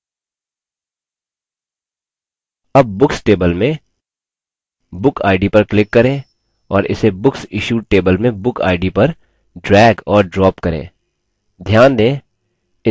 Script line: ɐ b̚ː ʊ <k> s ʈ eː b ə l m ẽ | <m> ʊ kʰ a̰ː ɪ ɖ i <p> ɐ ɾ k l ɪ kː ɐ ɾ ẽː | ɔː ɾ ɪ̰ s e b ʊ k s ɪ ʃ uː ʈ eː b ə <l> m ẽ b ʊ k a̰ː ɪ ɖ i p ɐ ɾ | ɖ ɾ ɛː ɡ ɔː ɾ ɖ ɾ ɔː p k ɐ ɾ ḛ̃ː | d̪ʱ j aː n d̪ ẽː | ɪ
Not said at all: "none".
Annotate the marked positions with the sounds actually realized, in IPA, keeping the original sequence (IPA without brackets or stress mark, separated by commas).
k, b, p, l